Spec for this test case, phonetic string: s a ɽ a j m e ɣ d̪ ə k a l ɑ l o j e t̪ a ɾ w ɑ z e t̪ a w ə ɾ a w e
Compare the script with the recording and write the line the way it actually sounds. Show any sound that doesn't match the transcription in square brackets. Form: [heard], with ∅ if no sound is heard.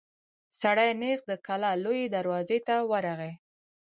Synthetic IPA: s a ɽ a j [n] e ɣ d̪ ə k a l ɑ l o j e [d̪] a ɾ w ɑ z e t̪ a w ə ɾ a [ɣ] e